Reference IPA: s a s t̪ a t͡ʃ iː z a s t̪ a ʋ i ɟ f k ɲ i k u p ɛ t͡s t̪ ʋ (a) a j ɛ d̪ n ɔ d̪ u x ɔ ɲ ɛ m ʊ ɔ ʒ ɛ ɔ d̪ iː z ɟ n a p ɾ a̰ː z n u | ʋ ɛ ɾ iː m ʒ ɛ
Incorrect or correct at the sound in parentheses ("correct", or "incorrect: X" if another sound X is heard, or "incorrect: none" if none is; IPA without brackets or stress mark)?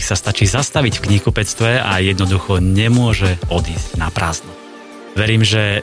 incorrect: ɛ